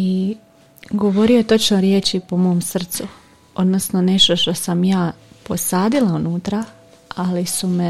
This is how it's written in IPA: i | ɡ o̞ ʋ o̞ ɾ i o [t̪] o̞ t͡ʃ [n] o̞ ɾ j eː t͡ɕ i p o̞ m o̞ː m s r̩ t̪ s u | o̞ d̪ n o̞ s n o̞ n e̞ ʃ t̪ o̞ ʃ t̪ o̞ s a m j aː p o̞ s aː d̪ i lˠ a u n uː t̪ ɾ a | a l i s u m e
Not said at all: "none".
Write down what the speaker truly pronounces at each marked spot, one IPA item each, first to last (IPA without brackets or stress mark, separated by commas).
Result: t̪, n